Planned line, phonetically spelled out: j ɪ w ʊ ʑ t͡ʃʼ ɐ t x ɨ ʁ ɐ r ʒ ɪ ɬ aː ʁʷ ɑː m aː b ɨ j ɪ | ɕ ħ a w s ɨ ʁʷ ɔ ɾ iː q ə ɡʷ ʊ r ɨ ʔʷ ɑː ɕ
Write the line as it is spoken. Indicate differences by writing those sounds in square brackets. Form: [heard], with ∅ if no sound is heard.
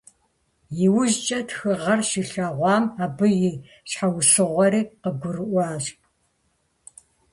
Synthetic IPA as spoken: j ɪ w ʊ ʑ t͡ʃʼ ɐ t x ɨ ʁ ɐ r [ʃ] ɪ ɬ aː ʁʷ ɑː m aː b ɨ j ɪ | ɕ ħ a w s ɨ ʁʷ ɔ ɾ iː q ə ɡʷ ʊ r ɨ ʔʷ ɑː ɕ